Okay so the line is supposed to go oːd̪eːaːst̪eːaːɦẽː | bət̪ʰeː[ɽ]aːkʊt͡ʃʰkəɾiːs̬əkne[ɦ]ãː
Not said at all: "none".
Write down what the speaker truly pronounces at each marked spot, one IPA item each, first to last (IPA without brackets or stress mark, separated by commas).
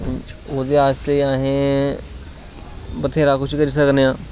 ɾ, none